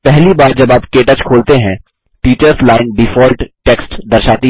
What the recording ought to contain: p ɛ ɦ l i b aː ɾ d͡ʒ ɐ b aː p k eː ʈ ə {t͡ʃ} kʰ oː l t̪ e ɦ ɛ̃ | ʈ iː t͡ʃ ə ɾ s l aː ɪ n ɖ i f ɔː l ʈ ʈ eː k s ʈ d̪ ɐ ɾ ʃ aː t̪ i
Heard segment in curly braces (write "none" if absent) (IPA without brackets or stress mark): t͡ʃ